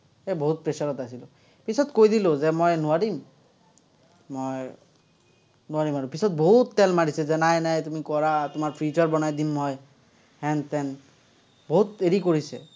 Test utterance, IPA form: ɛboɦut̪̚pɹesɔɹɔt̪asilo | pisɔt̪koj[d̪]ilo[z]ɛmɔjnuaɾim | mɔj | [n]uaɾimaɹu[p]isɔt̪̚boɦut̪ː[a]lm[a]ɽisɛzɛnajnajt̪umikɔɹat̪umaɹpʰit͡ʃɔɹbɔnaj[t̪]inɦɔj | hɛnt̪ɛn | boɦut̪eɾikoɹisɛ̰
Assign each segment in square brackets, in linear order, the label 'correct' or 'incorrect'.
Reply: correct, correct, correct, correct, incorrect, correct, incorrect

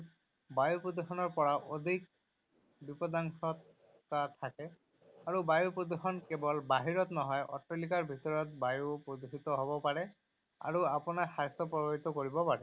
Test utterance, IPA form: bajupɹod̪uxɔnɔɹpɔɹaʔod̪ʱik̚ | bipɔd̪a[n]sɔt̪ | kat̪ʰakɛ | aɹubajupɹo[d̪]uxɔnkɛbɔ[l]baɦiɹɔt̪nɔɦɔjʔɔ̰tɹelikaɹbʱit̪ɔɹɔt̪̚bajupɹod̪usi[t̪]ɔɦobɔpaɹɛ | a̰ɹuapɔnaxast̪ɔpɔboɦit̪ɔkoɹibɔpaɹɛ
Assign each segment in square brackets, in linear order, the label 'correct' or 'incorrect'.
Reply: incorrect, correct, correct, correct

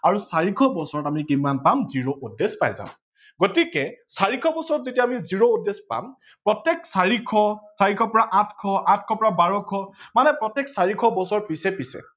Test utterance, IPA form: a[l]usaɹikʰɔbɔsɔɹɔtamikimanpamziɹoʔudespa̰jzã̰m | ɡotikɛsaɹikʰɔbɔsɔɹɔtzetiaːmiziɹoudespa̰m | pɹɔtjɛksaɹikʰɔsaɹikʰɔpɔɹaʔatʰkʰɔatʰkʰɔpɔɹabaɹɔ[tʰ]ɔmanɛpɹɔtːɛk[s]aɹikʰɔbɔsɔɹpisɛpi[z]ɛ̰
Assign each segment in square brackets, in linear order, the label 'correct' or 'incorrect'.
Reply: incorrect, incorrect, correct, incorrect

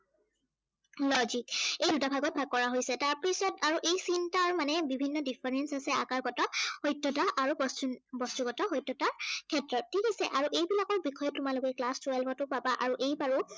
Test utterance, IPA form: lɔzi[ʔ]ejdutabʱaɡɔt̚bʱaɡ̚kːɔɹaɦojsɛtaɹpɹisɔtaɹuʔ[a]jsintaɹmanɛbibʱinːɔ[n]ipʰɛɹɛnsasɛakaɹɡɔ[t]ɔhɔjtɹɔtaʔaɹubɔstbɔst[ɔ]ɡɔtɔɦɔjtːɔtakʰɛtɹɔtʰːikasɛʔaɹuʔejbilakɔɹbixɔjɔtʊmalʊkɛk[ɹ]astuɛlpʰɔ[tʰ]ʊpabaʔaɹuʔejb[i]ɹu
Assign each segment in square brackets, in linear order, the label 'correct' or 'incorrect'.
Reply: incorrect, incorrect, incorrect, correct, incorrect, incorrect, incorrect, incorrect

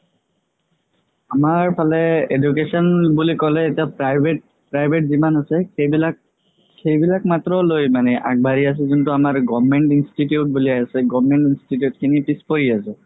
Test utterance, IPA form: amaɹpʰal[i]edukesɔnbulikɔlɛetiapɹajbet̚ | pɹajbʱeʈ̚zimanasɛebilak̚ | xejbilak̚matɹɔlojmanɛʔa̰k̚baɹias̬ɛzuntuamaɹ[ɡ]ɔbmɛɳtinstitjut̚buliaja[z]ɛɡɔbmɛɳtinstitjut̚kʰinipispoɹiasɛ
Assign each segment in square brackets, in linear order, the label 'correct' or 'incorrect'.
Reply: incorrect, correct, incorrect

